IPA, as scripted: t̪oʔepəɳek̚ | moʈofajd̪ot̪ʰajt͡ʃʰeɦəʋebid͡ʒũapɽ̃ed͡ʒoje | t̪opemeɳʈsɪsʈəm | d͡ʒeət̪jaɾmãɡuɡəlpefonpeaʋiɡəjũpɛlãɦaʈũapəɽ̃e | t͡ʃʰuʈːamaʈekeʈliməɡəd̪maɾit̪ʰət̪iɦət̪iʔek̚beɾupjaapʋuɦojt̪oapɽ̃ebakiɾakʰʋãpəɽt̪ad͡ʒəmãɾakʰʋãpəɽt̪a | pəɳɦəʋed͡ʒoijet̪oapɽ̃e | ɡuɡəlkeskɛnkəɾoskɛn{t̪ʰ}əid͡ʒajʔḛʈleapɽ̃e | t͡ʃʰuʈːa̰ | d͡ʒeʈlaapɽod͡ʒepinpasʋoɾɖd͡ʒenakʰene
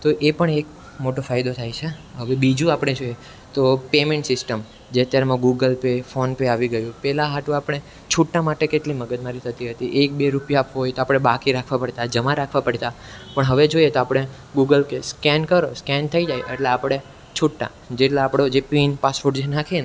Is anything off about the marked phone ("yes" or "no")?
no